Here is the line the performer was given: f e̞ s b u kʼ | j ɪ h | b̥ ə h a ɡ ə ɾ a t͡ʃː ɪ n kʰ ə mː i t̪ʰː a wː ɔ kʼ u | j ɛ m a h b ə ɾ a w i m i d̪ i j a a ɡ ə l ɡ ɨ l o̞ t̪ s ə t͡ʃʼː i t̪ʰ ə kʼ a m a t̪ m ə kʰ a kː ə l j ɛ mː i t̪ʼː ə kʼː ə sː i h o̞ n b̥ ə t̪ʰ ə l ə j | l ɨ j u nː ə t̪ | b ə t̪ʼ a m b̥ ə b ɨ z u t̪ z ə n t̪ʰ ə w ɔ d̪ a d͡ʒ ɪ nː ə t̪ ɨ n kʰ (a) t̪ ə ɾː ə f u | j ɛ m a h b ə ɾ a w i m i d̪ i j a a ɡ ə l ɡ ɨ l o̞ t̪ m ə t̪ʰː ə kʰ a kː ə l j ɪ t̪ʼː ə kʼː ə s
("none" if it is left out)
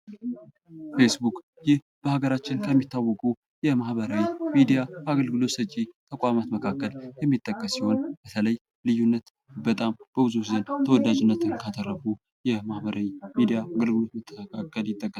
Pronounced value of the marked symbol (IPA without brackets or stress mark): a